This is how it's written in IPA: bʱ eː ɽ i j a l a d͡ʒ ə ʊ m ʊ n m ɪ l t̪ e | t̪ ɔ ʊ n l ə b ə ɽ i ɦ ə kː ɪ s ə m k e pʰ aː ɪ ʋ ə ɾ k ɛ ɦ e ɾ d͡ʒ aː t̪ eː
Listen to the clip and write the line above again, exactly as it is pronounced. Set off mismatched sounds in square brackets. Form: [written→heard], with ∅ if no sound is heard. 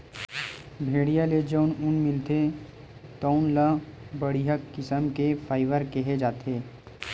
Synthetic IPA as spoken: bʱ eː ɽ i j a l [a→e] d͡ʒ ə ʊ [m→n] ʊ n m ɪ l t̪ e | t̪ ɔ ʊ n l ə b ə ɽ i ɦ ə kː ɪ s ə m k e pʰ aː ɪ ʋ ə ɾ k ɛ ɦ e [ɾ→∅] d͡ʒ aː t̪ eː